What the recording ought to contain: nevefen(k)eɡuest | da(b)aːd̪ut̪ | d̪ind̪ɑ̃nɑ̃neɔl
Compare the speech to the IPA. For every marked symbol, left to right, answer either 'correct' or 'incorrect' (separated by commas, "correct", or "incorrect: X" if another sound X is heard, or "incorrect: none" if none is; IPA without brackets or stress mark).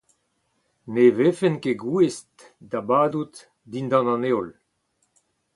correct, correct